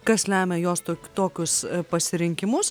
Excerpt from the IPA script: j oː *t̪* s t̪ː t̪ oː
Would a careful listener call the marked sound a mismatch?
yes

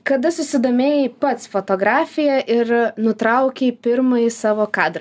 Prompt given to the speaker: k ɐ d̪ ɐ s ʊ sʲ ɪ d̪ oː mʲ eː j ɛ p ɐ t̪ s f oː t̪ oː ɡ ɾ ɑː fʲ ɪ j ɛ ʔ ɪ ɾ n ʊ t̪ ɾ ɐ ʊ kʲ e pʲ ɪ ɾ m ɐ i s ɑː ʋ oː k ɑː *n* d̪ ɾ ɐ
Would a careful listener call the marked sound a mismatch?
yes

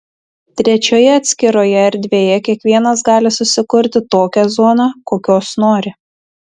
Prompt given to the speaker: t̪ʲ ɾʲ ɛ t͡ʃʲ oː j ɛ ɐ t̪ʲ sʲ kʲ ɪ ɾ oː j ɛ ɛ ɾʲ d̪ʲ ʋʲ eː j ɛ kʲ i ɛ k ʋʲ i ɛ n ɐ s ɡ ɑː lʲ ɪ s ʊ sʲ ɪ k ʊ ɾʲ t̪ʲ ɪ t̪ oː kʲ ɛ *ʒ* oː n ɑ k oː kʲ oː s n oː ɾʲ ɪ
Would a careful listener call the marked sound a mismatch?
yes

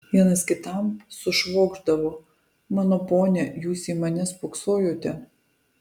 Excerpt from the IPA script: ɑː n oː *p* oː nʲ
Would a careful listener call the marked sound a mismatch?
no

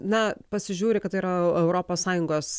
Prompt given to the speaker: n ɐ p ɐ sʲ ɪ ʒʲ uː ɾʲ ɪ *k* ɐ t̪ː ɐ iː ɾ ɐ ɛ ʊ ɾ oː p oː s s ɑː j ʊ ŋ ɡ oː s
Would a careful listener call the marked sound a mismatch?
no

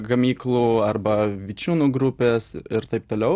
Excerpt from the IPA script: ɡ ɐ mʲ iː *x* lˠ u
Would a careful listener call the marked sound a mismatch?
yes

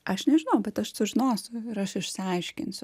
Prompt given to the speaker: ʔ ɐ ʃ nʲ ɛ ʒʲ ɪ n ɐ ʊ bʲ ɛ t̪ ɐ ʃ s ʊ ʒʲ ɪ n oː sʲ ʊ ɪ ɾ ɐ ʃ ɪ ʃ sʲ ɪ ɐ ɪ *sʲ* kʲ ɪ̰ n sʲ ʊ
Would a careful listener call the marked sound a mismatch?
yes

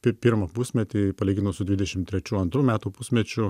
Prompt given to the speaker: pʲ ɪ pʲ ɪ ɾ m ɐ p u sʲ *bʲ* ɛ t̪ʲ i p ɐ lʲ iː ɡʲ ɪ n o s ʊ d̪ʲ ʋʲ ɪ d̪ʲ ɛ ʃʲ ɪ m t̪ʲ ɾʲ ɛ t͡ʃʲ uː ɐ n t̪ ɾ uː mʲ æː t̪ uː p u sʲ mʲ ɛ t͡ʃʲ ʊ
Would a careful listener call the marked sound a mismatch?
yes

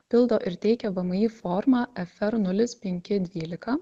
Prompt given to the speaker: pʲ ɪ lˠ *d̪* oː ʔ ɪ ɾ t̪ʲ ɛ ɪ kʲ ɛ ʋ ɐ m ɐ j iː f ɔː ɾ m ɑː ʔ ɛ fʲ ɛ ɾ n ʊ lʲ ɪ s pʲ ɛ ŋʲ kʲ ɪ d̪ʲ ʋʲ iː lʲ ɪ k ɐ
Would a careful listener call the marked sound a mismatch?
no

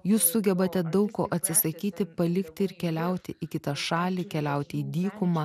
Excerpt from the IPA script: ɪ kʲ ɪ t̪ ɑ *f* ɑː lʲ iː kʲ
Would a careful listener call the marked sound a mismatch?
yes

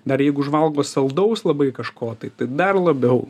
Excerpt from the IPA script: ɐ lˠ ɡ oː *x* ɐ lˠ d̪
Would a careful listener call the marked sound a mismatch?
yes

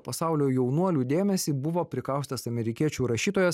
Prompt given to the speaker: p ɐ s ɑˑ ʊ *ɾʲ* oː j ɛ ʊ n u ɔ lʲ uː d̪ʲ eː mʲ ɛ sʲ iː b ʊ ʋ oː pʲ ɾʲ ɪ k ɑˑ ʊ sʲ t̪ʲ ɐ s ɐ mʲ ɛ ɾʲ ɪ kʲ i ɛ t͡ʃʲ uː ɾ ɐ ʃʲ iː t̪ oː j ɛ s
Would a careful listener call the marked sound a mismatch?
yes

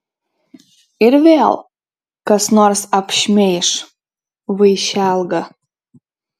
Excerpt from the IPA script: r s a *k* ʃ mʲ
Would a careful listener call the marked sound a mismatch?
yes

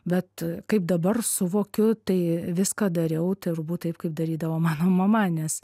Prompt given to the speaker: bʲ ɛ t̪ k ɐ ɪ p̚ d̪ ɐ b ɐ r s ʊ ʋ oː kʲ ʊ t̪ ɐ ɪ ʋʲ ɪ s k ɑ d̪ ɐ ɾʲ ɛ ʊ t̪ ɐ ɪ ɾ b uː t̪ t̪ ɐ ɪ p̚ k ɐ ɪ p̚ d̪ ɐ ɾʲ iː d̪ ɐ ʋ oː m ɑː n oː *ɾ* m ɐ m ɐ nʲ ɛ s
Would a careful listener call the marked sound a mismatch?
yes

